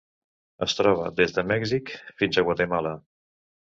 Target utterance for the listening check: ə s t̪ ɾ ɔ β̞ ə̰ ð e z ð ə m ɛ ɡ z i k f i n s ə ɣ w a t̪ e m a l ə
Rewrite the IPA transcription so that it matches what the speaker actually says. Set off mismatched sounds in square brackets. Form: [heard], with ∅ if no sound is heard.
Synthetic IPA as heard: ə s t̪ ɾ ɔ β̞ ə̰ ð e z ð ə m ɛ ɡ z i k f i n [z] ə ɣ w a t̪ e m a l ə